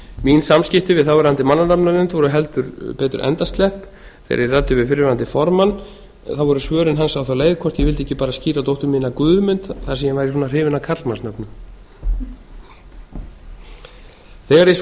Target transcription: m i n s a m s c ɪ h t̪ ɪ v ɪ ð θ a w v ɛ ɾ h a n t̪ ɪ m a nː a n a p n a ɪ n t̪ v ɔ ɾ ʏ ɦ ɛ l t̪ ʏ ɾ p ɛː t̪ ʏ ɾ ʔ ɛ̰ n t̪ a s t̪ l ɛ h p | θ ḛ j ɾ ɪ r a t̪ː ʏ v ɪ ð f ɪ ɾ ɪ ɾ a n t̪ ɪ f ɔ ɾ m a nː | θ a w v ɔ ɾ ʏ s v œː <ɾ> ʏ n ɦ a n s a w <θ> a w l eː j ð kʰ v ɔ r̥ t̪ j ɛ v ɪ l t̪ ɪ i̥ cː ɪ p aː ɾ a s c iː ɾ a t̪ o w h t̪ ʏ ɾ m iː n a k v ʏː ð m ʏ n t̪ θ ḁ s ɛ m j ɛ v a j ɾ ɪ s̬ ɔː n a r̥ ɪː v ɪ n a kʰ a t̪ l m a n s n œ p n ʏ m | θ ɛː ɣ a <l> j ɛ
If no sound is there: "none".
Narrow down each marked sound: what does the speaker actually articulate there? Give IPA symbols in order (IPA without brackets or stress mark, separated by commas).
ɾ, θ, ɾ